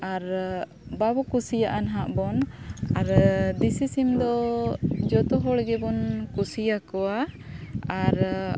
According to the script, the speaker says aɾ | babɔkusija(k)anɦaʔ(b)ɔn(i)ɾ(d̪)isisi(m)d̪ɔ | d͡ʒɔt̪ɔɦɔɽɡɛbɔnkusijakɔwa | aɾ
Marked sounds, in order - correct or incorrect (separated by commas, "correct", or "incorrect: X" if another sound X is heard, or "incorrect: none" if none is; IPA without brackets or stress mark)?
incorrect: ʔ, correct, incorrect: a, correct, correct